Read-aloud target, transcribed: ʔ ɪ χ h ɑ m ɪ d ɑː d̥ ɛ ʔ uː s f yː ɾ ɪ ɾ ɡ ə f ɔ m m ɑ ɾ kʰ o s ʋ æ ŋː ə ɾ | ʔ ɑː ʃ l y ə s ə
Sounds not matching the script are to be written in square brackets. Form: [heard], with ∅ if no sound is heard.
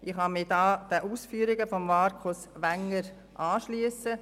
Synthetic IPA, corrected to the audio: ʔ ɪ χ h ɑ m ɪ d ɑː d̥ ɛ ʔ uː s f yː ɾ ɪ [∅] ɡ ə f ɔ m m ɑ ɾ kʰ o s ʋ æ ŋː ə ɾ | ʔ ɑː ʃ l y ə s ə

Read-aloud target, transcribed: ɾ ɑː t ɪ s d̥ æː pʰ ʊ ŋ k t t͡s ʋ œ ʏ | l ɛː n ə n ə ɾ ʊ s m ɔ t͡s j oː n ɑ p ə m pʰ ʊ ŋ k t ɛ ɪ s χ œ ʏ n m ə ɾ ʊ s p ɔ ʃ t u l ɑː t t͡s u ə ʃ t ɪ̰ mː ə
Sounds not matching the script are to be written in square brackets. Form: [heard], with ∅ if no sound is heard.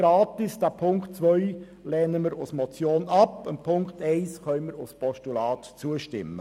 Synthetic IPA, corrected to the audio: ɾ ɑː t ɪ s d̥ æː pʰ ʊ ŋ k t t͡s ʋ œ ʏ | l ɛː n ə [m] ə ɾ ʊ s m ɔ t͡s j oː n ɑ p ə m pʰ ʊ ŋ k t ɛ ɪ s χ œ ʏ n m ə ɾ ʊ s p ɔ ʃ t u l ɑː t t͡s u ə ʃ t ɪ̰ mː ə

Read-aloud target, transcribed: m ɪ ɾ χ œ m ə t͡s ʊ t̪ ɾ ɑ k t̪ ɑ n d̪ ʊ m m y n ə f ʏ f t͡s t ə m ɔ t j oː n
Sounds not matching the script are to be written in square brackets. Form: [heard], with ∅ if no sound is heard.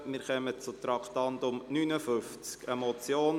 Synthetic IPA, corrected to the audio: m ɪ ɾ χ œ m ə t͡s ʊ t̪ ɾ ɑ k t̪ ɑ n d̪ ʊ m [n] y n ə f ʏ f t͡s [k] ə m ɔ [t͡s] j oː n

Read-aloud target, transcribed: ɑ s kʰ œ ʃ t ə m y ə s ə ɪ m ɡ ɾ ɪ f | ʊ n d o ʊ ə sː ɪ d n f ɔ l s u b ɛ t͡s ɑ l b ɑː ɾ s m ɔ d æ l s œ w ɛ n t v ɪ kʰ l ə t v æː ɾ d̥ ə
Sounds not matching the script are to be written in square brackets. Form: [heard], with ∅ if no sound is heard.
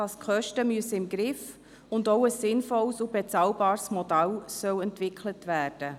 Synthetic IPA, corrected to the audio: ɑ s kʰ œ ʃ t ə m y ə s ə ɪ m ɡ ɾ ɪ f | ʊ n d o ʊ ə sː ɪ [∅] n f ɔ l s u b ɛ t͡s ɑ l b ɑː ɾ s m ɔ d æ l s œ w ɛ n t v ɪ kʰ l ə t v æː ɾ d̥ ə

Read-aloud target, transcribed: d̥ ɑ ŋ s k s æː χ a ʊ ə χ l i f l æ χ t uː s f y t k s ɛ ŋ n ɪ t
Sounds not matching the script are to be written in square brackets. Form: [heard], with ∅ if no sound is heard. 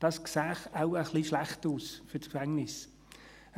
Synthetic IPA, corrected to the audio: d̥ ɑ [∅] s k s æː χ a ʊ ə χ l i [ʃ] l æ χ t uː s f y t k [f] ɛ ŋ n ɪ [s]

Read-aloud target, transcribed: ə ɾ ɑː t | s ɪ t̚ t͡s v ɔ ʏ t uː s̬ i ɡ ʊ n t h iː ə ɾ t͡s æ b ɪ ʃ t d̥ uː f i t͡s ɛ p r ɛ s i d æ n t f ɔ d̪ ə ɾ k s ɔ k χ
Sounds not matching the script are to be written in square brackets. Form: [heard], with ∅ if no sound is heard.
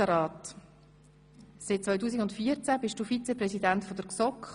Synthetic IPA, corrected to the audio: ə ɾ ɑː t | s ɪ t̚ t͡s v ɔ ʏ t uː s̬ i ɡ ʊ n t [f] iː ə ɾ t͡s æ b ɪ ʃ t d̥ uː f i t͡s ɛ p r ɛ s i d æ n t f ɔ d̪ ə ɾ k s ɔ k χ

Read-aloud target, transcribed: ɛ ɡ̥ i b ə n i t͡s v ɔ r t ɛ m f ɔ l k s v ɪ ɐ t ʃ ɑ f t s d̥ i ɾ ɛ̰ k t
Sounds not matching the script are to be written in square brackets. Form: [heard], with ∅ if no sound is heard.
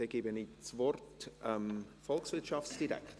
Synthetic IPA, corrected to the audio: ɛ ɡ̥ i b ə n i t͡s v ɔ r t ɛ m f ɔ l k s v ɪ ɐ t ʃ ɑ f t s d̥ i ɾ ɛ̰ k t

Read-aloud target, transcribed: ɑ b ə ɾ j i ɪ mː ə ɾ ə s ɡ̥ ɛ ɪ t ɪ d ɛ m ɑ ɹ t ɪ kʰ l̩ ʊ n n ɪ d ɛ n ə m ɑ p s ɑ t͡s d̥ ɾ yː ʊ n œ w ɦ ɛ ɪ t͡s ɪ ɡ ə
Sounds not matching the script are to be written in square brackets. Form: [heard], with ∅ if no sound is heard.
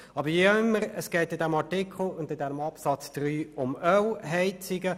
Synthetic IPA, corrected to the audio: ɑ b ə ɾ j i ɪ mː ə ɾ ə s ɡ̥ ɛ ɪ t ɪ d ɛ m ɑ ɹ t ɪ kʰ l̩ ʊ n [d] ɪ d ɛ n ə m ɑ p s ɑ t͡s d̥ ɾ yː ʊ [m] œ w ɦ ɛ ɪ t͡s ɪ ɡ ə

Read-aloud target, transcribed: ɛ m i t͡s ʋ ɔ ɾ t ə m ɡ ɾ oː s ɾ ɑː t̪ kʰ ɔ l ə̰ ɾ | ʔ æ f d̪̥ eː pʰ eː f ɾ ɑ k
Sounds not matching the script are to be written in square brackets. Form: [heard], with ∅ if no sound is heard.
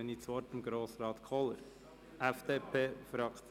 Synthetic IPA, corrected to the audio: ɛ [n] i t͡s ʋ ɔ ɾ t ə m ɡ ɾ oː s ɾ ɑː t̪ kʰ ɔ l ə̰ ɾ | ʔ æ f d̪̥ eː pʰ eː f ɾ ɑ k

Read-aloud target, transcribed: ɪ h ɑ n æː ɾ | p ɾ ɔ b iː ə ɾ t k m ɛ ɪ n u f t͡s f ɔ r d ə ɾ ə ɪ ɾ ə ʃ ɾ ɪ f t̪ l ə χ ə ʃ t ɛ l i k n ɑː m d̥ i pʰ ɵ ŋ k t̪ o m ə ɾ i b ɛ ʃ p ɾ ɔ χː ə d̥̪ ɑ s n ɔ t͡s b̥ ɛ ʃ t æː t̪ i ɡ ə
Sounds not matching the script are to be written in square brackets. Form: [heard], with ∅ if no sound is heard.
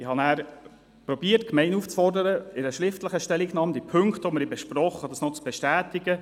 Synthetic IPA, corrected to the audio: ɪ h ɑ n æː ɾ | p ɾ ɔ b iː ə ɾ t k m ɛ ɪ n u f t͡s f ɔ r d ə ɾ ə ɪ ɾ ə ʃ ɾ ɪ f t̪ l ə χ ə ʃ t ɛ l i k n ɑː m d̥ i pʰ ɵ ŋ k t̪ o m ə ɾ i b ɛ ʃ p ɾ ɔ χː ə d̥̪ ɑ s n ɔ t͡s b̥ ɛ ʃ t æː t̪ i ɡ ə

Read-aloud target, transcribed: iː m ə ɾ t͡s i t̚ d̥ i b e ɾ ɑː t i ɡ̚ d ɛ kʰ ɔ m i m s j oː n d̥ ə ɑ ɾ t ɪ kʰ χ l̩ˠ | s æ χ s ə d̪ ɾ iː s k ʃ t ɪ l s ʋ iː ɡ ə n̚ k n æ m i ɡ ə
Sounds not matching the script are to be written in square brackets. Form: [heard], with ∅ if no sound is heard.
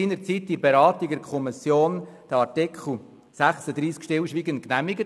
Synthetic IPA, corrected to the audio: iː [n] ə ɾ t͡s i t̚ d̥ i b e ɾ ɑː t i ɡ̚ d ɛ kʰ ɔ m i [∅] s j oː n d̥ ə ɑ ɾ t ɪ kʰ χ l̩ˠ | s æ χ s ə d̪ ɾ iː s k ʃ t ɪ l [ʃ] ʋ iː ɡ ə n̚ k n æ m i ɡ ə

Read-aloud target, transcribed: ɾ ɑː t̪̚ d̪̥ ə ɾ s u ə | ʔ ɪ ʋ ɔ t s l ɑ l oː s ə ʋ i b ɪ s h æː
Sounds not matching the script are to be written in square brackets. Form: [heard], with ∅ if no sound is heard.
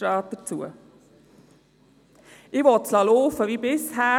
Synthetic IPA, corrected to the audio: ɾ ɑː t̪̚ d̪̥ ə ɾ [t͡s] u ə | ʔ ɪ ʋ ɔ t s l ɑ l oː [f] ə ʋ i b ɪ s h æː

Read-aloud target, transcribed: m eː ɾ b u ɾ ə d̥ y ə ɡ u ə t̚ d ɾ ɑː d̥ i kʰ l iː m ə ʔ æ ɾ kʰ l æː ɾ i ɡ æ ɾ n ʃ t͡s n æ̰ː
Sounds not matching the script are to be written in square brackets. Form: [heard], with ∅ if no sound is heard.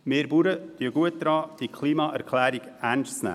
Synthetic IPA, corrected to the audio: m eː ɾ b u ɾ ə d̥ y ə ɡ u ə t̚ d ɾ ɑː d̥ i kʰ l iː m [ɑ] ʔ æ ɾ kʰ l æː ɾ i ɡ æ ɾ n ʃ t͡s n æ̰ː

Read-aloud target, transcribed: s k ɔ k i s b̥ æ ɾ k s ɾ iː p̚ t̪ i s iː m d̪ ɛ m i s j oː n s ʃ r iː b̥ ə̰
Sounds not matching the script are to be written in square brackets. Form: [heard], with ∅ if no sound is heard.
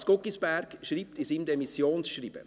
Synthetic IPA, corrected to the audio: s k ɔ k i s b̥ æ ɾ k [ʃ] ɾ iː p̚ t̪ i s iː m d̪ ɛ m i s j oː n s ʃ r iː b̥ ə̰

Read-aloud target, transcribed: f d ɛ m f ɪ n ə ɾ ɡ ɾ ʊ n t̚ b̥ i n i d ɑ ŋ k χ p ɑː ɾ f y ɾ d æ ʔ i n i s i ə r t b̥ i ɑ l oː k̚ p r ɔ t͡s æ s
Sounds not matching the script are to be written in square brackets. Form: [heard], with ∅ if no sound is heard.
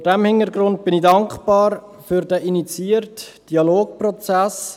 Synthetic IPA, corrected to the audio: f d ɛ m [h] ɪ n ə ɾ ɡ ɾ ʊ n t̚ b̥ [ɪ] n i d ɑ ŋ k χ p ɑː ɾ f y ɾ d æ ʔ i n i [t͡s] i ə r t [d̥] i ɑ l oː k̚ p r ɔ t͡s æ s

